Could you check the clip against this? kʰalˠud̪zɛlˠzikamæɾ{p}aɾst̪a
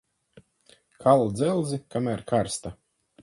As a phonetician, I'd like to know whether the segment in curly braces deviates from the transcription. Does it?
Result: yes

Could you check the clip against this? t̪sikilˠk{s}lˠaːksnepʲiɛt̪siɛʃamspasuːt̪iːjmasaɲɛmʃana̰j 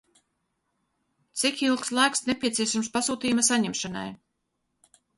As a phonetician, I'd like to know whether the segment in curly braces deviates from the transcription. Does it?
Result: no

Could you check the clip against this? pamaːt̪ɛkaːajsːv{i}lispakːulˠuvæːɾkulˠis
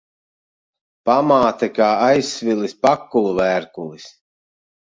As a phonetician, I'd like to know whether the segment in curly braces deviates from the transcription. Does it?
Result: no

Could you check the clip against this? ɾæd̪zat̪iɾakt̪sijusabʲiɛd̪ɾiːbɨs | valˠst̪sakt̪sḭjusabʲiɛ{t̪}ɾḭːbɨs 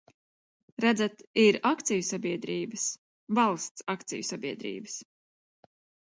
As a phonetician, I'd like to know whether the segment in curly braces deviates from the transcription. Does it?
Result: yes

